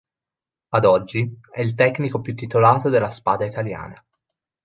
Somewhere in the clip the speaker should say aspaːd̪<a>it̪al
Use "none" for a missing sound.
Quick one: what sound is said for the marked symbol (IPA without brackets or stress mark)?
a